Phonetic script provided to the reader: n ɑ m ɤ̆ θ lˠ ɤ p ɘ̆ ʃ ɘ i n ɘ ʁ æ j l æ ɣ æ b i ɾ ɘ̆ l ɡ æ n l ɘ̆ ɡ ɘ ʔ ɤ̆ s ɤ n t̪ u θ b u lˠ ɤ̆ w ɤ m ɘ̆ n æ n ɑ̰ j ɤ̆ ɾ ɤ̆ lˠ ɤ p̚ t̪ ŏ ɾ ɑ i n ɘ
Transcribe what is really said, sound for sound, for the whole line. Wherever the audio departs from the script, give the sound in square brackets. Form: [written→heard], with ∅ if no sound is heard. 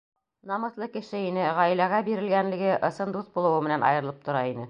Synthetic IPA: n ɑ m ɤ̆ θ lˠ ɤ [p→k] ɘ̆ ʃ ɘ i n ɘ ʁ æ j l æ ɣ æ b i ɾ ɘ̆ l ɡ æ n l ɘ̆ ɡ ɘ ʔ ɤ̆ s ɤ n [t̪→d̪] u θ b u lˠ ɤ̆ w ɤ m ɘ̆ n æ n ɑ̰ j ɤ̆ ɾ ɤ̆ lˠ ɤ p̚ t̪ ŏ ɾ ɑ i n ɘ